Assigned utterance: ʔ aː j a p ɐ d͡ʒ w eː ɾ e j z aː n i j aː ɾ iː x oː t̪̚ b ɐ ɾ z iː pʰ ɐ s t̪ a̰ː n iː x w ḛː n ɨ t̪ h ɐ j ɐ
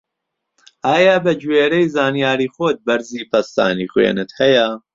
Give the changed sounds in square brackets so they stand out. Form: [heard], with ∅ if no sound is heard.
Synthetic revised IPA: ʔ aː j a [b] ɐ d͡ʒ w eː ɾ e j z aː n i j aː ɾ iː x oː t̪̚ b ɐ ɾ z iː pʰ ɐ s t̪ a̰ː n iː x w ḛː n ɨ t̪ h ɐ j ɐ